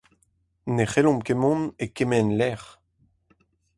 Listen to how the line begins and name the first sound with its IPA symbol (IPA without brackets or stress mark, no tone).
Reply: n